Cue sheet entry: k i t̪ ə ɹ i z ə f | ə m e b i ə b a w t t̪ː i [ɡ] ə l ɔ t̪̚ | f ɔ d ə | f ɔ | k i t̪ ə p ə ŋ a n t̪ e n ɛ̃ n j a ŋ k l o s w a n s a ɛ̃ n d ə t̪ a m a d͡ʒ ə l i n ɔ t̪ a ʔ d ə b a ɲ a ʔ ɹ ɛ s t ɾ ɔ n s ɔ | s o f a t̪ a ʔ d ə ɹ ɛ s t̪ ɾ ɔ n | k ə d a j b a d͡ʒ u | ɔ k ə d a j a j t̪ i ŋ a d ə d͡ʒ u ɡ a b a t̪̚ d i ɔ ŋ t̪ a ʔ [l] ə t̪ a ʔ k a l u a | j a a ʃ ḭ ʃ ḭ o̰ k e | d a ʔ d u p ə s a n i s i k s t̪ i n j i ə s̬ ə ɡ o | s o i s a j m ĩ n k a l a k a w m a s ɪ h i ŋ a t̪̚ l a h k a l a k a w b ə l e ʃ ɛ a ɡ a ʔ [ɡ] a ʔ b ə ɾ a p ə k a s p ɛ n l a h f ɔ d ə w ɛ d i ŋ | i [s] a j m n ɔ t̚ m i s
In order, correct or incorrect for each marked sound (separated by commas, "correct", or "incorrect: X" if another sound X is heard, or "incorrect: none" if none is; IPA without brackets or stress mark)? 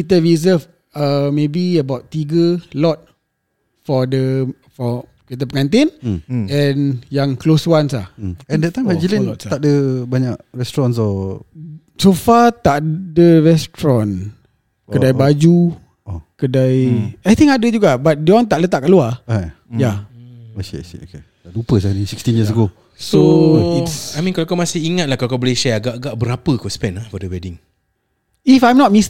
correct, correct, correct, incorrect: f